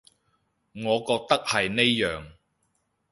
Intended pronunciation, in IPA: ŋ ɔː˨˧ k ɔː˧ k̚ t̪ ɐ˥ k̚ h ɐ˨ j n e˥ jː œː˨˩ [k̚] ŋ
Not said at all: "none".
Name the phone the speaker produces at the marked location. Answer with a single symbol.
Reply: none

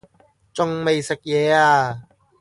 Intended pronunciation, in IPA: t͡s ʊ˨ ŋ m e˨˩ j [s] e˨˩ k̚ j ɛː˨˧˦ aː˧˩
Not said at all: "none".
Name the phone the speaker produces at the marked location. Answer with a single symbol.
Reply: s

